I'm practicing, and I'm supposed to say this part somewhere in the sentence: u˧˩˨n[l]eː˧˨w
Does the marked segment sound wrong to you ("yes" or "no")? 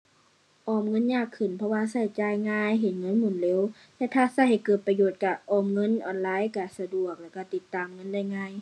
no